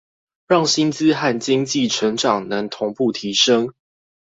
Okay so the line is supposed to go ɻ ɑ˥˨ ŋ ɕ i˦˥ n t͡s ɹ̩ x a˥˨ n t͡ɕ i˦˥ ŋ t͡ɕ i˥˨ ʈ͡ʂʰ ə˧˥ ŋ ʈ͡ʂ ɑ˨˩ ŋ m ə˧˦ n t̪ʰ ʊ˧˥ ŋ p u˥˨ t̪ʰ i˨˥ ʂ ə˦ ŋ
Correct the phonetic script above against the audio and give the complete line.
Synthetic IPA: ɻ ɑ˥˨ ŋ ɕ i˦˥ n t͡s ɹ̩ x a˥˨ n t͡ɕ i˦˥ ŋ t͡ɕ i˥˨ ʈ͡ʂʰ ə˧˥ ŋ ʈ͡ʂ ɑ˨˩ ŋ n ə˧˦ ŋ t̪ʰ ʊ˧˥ ŋ p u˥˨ t̪ʰ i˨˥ ʂ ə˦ ŋ